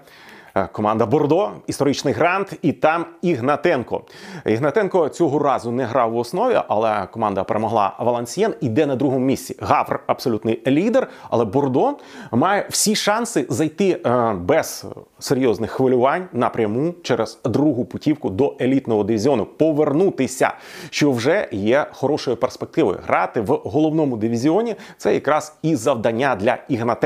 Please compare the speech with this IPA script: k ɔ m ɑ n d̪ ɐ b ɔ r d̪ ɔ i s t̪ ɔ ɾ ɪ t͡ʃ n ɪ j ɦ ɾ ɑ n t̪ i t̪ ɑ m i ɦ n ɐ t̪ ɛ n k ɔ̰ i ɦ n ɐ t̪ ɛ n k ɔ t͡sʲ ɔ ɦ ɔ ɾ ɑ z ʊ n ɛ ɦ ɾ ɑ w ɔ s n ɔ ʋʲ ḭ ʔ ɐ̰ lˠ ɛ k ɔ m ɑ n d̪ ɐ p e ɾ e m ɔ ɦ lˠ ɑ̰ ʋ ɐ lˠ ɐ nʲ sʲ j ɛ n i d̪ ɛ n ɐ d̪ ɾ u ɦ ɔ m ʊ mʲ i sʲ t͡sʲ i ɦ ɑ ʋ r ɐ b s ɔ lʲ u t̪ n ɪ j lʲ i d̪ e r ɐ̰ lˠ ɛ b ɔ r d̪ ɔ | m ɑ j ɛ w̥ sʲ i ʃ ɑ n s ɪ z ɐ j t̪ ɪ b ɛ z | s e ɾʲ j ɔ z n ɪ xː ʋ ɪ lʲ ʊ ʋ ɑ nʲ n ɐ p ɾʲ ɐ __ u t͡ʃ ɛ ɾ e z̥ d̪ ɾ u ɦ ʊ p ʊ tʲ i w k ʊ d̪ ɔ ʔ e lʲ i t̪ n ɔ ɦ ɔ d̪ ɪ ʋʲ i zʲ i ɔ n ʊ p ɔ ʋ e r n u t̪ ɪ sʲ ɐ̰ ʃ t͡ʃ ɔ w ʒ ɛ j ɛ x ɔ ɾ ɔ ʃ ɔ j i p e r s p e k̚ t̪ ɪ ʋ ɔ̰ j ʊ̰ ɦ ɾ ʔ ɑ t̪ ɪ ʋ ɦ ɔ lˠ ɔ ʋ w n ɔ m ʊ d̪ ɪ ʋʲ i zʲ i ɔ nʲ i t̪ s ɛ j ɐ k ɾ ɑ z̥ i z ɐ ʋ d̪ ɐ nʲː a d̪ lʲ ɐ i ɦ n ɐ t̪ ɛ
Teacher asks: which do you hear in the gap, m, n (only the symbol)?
m